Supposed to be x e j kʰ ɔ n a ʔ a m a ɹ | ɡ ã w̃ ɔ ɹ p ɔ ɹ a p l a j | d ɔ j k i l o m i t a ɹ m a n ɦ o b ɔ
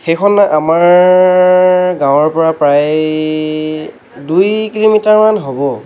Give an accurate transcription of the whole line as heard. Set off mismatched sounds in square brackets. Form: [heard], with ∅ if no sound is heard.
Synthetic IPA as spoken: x e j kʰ ɔ n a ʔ a m a ɹ | ɡ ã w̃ ɔ ɹ p ɔ ɹ a p [ɹ] a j | d [u] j k i l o m i t a ɹ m a n ɦ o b ɔ